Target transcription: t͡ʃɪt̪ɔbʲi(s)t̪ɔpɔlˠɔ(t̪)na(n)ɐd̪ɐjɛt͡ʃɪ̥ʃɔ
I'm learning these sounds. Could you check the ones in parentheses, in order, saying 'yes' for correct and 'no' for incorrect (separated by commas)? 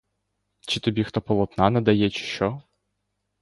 no, yes, yes